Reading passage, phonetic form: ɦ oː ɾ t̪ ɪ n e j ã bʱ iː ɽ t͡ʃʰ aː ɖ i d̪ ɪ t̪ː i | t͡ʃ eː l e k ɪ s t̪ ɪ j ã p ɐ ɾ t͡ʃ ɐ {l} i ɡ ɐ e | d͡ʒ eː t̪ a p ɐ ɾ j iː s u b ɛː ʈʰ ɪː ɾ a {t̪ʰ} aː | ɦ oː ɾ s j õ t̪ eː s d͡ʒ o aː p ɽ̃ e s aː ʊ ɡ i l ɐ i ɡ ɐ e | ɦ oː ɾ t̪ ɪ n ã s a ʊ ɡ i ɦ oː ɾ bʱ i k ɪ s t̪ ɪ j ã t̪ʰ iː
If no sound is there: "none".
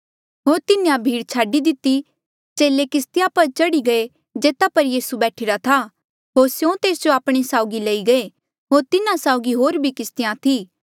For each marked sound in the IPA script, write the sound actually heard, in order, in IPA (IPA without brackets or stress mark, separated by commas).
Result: ɽ, t̪ʰ